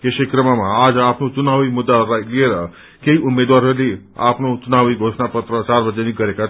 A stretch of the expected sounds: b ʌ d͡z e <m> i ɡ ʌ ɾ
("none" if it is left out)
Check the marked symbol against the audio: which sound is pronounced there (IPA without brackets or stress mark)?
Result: n